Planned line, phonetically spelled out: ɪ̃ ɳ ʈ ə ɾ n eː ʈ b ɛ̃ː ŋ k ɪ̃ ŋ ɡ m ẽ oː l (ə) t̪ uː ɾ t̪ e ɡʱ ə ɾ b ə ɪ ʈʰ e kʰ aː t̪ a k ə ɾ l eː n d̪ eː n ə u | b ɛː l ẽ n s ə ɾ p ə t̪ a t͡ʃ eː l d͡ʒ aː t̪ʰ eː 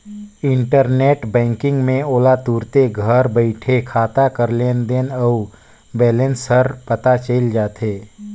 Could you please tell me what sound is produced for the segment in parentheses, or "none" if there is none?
a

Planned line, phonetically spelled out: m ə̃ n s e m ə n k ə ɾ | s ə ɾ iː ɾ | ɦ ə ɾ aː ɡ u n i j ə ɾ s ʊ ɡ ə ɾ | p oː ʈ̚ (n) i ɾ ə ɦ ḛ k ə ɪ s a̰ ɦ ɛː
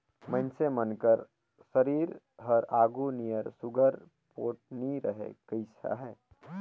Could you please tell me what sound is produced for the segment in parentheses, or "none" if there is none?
n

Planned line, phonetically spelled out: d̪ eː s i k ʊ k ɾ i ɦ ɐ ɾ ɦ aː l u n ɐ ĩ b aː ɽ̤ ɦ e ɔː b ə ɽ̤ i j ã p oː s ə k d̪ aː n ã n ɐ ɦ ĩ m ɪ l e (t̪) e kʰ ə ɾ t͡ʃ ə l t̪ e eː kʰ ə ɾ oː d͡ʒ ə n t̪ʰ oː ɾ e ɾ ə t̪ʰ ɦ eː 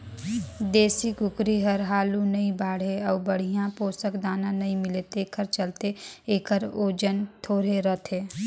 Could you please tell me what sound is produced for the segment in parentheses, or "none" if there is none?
t̪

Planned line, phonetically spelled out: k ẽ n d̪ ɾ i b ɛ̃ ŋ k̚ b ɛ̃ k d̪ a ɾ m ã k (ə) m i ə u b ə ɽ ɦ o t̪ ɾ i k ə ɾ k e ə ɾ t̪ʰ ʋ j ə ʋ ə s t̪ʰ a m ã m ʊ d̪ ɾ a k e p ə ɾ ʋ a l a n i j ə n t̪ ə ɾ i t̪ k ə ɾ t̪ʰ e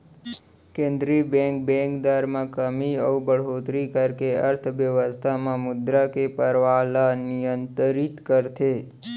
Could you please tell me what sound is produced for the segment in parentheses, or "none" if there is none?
ə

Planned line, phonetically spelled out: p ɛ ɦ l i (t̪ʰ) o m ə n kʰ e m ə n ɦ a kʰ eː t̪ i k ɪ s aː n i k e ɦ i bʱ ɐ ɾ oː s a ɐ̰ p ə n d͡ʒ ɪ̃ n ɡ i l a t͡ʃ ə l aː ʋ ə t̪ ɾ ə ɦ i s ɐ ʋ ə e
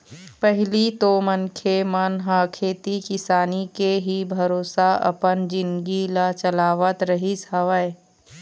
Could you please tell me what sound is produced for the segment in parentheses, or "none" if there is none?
t̪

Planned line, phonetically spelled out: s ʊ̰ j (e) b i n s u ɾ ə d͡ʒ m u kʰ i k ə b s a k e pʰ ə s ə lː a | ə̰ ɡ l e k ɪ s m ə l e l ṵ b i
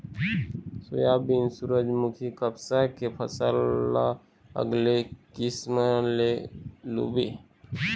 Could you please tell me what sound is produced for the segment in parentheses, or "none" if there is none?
a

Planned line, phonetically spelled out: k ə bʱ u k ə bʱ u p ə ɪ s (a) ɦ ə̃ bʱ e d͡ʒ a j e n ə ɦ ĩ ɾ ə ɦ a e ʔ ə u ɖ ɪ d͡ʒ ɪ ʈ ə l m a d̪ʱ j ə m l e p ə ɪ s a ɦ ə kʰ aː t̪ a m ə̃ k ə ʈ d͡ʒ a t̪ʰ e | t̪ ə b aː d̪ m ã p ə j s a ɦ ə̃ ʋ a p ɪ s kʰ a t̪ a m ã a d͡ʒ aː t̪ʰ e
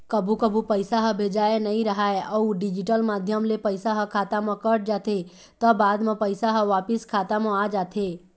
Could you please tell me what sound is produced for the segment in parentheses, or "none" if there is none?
a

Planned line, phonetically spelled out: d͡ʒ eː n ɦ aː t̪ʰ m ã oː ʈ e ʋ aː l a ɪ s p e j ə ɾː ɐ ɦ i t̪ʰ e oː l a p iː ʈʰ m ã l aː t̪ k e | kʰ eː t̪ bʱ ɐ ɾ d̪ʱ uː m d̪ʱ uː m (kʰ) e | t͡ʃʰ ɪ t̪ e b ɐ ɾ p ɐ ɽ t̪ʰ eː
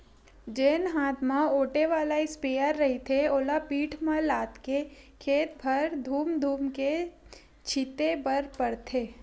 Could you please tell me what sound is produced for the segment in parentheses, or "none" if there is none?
k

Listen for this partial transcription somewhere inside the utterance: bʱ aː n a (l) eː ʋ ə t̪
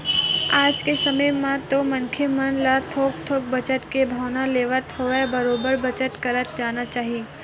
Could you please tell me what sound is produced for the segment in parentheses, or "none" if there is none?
l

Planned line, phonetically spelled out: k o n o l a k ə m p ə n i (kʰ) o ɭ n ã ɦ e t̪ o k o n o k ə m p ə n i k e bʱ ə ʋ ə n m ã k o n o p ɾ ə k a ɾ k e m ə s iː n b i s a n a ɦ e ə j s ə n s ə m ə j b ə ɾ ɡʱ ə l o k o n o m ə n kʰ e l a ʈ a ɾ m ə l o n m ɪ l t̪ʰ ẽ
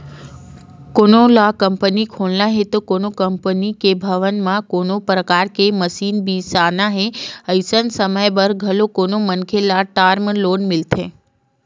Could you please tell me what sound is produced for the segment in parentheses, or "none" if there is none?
kʰ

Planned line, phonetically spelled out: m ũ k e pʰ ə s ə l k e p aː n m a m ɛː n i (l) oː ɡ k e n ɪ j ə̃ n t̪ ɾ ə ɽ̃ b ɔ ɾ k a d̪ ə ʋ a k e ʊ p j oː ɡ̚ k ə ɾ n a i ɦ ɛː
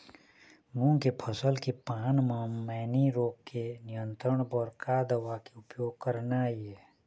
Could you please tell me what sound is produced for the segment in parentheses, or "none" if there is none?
ɾ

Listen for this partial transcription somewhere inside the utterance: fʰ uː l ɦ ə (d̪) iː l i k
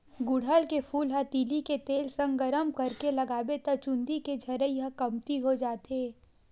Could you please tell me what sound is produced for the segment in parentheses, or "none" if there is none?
t̪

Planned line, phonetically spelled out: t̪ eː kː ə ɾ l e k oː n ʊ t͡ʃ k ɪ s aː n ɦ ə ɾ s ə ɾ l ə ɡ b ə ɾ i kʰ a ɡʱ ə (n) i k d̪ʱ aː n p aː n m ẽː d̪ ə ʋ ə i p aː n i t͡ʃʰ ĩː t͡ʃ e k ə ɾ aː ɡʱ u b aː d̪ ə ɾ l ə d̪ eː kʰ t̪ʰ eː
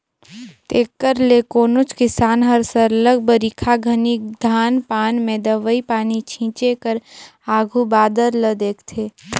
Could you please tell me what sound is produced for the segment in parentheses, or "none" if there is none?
n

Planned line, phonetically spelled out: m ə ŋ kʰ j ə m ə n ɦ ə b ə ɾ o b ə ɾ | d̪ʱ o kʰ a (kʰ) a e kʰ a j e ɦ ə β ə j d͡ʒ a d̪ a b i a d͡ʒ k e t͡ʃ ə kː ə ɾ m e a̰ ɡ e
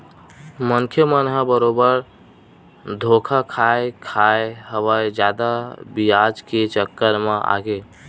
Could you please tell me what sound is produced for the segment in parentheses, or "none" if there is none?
kʰ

